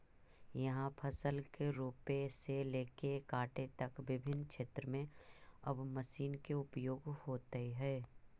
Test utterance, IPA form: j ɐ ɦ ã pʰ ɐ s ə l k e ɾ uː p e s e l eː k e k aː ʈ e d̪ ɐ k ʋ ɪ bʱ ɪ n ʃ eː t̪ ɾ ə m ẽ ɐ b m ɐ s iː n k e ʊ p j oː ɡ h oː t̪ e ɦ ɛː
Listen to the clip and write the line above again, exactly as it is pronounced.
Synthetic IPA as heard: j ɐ ɦ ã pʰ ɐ s ə l k e ɾ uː p e s e l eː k e k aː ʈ e t̪ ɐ k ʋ ɪ bʱ ɪ n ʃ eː t̪ ɾ ə m ẽ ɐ b m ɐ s iː n k e ʊ p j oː ɡ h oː t̪ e ɦ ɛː